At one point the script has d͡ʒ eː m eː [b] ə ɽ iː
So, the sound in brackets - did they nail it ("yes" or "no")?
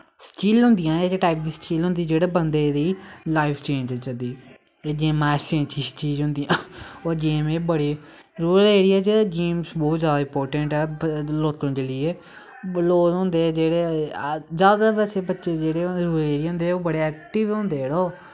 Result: yes